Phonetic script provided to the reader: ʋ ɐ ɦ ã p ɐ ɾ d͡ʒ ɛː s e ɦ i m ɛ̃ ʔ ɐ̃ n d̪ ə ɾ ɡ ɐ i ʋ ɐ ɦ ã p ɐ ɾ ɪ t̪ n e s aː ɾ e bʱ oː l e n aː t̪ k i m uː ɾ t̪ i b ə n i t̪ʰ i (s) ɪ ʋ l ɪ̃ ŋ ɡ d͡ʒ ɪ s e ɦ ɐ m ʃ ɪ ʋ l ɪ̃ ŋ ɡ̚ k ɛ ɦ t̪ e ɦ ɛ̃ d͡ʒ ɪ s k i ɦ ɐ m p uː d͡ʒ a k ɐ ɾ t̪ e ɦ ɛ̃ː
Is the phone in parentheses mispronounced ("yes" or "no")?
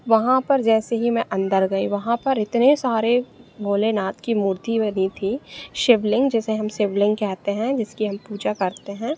yes